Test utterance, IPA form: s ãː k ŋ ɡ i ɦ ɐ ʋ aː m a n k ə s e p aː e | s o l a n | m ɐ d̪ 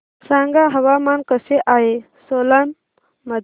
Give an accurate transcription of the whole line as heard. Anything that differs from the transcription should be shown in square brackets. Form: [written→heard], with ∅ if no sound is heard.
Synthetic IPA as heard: s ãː [k→∅] ŋ ɡ [i→a] ɦ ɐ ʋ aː m a n k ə s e [p→ʔ] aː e | s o l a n | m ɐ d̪

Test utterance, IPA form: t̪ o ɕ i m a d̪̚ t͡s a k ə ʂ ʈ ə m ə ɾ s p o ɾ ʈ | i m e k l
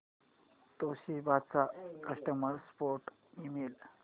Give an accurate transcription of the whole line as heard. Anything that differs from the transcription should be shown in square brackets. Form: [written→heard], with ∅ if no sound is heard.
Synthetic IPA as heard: t̪ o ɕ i [m→b] a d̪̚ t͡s a k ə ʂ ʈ ə m ə ɾ s p o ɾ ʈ | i m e [k→∅] l

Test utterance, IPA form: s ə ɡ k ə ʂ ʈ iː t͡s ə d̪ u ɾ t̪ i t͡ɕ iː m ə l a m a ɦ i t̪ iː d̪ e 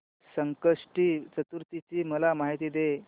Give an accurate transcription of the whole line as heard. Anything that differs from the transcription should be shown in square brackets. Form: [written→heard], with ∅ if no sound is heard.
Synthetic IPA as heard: s ə [ɡ→ŋ] k ə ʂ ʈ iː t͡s ə [d̪→t̪] u ɾ t̪ i t͡ɕ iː m ə l a m a ɦ i t̪ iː d̪ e

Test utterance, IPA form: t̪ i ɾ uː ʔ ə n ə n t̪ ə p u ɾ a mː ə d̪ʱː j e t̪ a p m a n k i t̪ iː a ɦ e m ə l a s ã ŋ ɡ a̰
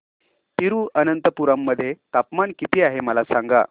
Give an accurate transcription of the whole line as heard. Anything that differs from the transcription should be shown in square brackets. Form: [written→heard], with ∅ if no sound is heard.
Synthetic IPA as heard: t̪ i ɾ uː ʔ ə n ə n t̪ ə p u ɾ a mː ə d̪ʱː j e t̪ a p m a n k i t̪ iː a ɦ e m ə l a s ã ŋ ɡ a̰

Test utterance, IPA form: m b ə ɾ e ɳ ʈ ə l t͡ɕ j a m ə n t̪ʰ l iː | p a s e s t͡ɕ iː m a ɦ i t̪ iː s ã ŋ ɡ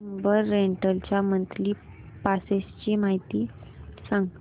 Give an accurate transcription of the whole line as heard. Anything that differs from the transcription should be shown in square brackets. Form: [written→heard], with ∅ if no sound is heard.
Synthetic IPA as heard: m b ə [ɾ→ɾː] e ɳ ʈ ə l t͡ɕ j a m ə n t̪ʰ l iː | p a s e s t͡ɕ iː m a ɦ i t̪ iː s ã ŋ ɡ

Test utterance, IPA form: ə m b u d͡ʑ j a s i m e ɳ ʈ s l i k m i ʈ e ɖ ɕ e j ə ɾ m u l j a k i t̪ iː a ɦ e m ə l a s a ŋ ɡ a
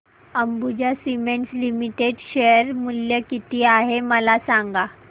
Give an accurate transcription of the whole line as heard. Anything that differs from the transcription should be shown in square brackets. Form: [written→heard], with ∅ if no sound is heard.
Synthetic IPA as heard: ə m b u d͡ʑ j a s i m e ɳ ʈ s l i [k→∅] m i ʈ e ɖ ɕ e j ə ɾ m u l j [a→ə] k i t̪ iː a ɦ e m ə l a s a ŋ ɡ a

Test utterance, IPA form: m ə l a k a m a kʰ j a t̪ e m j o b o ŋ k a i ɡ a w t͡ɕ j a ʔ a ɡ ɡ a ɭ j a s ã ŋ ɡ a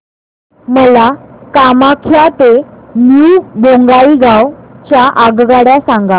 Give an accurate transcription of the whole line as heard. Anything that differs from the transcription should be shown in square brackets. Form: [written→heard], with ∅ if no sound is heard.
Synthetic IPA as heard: m ə l a k a m a kʰ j a t̪ e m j [o→u] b o ŋ [k→ɡ] a i ɡ a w t͡ɕ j a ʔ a ɡ ɡ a [ɭ→ɽ] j a s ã ŋ ɡ a

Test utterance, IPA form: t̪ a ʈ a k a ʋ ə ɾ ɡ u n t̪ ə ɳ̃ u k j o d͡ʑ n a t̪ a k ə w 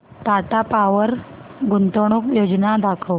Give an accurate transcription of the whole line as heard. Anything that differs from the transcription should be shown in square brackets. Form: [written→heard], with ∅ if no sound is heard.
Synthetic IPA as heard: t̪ a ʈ a [k→p] a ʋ ə ɾ ɡ u n t̪ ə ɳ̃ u k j o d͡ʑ n a [t̪→d̪] a [k→kʰ] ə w

